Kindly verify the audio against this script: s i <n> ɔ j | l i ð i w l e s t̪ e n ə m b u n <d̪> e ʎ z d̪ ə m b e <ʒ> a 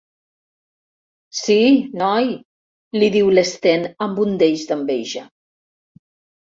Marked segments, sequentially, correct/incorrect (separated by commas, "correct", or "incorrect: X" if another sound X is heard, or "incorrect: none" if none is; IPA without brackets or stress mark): correct, correct, correct